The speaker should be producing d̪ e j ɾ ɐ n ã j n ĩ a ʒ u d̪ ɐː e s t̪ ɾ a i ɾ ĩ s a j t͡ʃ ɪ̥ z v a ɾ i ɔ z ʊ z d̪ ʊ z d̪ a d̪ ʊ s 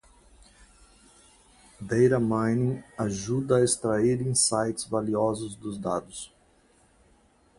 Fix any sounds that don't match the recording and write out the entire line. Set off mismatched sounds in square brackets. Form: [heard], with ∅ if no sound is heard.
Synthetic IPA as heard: d̪ e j ɾ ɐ [m] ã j n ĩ a ʒ u d̪ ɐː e s t̪ ɾ a i ɾ ĩ s a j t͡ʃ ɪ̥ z v a [l] i ɔ z ʊ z d̪ ʊ z d̪ a d̪ ʊ s